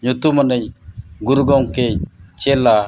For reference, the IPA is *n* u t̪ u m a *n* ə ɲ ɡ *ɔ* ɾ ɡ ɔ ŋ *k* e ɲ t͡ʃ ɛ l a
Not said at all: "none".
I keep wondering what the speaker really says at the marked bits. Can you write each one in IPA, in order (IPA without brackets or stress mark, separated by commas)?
ɲ, n, u, k